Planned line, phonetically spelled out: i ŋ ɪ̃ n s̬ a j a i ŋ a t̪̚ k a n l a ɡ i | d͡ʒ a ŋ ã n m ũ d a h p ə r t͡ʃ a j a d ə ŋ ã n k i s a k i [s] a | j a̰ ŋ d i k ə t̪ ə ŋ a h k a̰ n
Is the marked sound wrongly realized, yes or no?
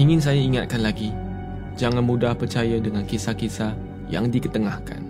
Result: no